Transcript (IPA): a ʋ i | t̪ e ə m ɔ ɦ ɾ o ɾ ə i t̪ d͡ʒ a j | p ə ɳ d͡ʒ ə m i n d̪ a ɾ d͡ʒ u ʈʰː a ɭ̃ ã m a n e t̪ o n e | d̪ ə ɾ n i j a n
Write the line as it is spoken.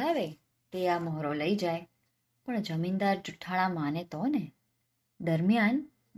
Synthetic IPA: a ʋ e | t̪ e a m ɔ ɦ ɾ o l ə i d͡ʒ a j | p ə ɳ d͡ʒ ə m i n d̪ a ɾ d͡ʒ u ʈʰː a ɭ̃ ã m a n e t̪ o n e | d̪ ə ɾ m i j a n